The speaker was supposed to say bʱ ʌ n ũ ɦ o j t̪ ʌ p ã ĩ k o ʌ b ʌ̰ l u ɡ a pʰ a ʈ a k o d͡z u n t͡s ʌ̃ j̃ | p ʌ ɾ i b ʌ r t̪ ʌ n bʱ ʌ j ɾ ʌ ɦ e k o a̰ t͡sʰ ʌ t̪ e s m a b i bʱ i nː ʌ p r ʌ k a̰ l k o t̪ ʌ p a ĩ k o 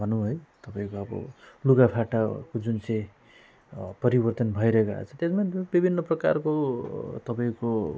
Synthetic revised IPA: bʱ ʌ n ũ ɦ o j t̪ ʌ p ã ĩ k o ʌ b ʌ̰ l u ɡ a pʰ a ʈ a k o d͡z u n t͡s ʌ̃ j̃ | p ʌ ɾ i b ʌ r t̪ ʌ n bʱ ʌ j ɾ ʌ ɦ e k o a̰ t͡sʰ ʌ t̪ e s m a b i bʱ i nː ʌ p r ʌ k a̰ r k o t̪ ʌ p a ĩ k o